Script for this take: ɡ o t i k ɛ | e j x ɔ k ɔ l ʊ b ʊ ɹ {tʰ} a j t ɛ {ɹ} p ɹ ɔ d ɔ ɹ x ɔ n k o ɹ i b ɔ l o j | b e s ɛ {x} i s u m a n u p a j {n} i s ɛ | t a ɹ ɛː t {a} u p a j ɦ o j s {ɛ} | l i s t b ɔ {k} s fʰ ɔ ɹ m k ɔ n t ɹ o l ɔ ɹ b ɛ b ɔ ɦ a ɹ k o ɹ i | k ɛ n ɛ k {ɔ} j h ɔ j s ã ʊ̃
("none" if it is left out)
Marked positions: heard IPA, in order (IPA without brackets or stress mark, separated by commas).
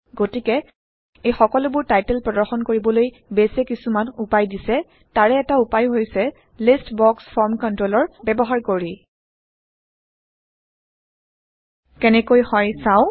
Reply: t, l, k, d, a, ɛ, k, o